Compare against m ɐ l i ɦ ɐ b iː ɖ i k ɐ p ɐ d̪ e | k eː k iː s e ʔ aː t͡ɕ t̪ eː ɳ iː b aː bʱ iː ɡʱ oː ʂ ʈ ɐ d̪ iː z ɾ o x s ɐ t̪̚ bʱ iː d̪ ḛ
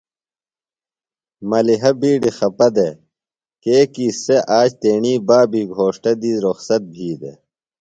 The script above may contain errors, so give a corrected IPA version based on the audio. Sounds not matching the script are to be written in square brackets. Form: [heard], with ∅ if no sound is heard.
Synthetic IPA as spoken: m ɐ l i ɦ ɐ b iː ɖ i [x] ɐ p ɐ d̪ e | k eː k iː s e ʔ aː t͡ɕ t̪ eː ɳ iː b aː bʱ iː ɡʱ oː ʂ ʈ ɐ d̪ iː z ɾ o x s ɐ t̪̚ bʱ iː d̪ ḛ